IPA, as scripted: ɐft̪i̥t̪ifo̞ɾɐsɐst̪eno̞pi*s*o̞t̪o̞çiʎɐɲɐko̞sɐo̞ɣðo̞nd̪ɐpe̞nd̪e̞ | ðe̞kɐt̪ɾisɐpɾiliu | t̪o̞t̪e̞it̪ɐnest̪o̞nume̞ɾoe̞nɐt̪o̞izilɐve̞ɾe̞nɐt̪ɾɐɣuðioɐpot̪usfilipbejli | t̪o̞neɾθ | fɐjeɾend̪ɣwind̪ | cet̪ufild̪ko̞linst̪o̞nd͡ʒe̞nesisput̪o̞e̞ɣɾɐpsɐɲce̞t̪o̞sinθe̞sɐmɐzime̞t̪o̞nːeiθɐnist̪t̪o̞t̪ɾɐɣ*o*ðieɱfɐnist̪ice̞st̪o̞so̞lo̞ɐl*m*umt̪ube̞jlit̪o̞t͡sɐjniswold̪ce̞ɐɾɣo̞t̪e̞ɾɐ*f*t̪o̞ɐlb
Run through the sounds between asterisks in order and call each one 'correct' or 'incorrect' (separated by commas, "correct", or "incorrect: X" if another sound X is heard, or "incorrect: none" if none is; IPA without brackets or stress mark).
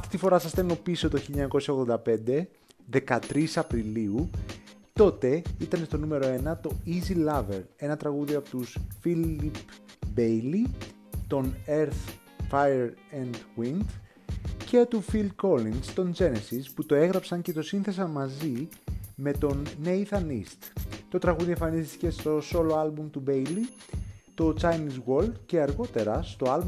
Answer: correct, incorrect: u, incorrect: b, incorrect: s